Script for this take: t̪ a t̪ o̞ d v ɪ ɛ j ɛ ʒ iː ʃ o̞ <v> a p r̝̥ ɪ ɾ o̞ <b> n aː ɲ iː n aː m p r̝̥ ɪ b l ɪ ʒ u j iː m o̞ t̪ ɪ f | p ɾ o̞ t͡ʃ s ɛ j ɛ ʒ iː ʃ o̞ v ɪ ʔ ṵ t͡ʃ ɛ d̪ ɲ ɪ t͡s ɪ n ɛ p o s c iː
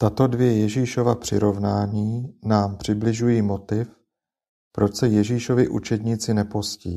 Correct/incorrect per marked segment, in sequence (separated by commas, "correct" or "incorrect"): correct, incorrect